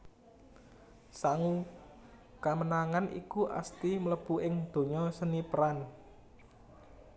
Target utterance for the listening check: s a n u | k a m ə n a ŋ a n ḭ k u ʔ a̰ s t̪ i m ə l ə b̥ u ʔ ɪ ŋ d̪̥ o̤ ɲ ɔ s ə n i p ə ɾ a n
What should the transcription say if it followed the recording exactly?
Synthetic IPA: s a ŋ u | k a m ə n a ŋ a n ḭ k u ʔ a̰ s t̪ i m ə l ə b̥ u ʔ ɪ ŋ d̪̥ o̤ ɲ ɔ s ə n i p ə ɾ a n